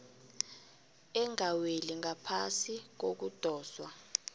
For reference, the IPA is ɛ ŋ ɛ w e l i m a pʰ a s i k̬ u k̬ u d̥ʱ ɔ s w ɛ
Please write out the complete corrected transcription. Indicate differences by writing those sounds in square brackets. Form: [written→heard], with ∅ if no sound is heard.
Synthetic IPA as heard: ɛ ŋ [ɛ→a] w e l i [m→ŋ] a pʰ a s i k̬ [u→o] k̬ u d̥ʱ [ɔ→ɔː] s w [ɛ→a]

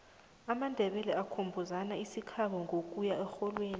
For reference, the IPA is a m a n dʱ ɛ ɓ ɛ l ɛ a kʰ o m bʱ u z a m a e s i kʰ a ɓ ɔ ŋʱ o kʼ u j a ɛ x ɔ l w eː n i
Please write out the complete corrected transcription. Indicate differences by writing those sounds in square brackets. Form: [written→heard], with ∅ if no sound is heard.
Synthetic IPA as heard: a m a n dʱ ɛ ɓ ɛ l ɛ a kʰ o m bʱ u z a [m→n] a [e→i] s i kʰ a ɓ ɔ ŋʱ o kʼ u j a ɛ x ɔ l w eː n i

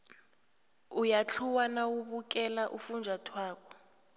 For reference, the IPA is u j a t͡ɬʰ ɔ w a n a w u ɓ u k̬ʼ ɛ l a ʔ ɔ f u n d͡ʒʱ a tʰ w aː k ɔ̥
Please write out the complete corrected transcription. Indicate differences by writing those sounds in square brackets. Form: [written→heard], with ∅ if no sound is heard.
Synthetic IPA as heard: u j a t͡ɬʰ [ɔ→u] w a n a w u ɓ u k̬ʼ ɛ l a ʔ [ɔ→u] f u n d͡ʒʱ a tʰ w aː k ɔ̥

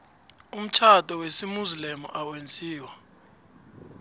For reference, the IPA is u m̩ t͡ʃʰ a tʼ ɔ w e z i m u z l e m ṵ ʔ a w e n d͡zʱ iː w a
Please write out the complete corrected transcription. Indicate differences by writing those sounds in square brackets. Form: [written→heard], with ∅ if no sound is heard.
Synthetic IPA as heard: u m̩ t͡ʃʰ a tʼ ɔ w e [z→s] i m u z l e m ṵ ʔ a w e n d͡zʱ iː w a

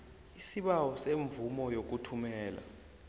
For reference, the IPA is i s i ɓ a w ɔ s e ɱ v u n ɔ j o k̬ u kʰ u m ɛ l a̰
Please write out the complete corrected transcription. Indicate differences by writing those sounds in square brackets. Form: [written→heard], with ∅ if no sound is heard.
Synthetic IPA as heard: i s i ɓ a w ɔ s e ɱ v u [n→m] ɔ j o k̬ u [kʰ→tʰ] u m [ɛ→ɛː] l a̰

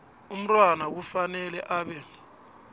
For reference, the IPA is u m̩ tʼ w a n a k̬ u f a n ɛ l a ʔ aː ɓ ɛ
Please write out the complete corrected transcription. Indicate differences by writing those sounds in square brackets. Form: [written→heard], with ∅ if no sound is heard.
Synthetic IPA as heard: u m̩ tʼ w a n a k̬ u f a n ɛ l [a→ɛ] ʔ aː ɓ ɛ

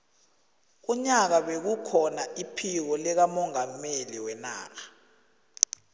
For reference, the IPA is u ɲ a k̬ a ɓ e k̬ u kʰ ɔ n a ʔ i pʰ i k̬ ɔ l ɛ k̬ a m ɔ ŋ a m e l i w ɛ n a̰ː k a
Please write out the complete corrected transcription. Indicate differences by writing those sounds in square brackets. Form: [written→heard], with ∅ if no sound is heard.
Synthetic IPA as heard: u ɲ a k̬ a ɓ e k̬ u kʰ ɔ n a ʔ i pʰ i k̬ ɔ l ɛ k̬ a m ɔ ŋ a m e l i w ɛ n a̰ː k a

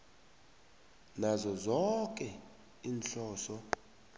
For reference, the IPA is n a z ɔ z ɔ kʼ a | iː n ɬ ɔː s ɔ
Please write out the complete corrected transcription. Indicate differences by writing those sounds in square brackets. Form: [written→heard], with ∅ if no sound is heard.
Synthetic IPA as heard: n a z ɔ z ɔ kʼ [a→ɛ] | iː n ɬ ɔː s ɔ

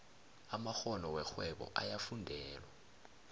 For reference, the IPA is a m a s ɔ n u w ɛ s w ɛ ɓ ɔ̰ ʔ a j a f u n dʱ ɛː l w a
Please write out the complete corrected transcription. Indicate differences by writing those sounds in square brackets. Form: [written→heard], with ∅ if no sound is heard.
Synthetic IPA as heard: a m a [s→x] ɔ n [u→ɔ] w ɛ [s→x] w ɛ ɓ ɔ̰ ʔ a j a f u n dʱ ɛː l w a

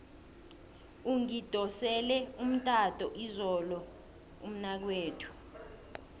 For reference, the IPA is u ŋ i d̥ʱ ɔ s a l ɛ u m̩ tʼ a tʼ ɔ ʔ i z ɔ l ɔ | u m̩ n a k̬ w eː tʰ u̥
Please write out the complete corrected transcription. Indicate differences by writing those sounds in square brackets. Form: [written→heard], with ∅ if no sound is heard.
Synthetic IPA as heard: u ŋ i d̥ʱ ɔ s [a→ɛ] l ɛ u m̩ tʼ a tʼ ɔ ʔ i z ɔ l ɔ | u m̩ n a k̬ w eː tʰ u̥

